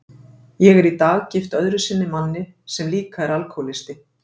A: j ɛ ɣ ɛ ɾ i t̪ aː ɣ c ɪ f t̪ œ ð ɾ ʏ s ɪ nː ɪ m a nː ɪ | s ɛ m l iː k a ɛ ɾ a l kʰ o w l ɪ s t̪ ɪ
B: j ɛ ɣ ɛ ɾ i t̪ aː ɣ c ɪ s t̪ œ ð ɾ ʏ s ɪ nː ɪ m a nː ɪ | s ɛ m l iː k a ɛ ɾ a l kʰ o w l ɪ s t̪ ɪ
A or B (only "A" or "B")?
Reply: A